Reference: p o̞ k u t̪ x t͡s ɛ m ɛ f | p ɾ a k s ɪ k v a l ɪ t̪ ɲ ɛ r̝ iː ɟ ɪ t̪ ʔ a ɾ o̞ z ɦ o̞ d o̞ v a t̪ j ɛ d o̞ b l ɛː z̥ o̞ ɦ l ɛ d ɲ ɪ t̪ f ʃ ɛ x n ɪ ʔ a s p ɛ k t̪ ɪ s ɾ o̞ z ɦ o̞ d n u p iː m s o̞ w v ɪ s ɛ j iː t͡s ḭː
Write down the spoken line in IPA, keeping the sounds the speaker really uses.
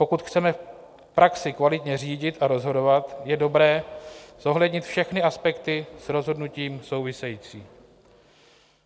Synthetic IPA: p o̞ k u t̪ x t͡s ɛ m ɛ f | p ɾ a k s ɪ k v a l ɪ t̪ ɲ ɛ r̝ iː ɟ ɪ t̪ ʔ a ɾ o̞ z ɦ o̞ d o̞ v a t̪ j ɛ d o̞ b ɾ ɛː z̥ o̞ ɦ l ɛ d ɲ ɪ t̪ f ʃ ɛ x n ɪ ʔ a s p ɛ k t̪ ɪ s ɾ o̞ z ɦ o̞ d n u c iː m s o̞ w v ɪ s ɛ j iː t͡s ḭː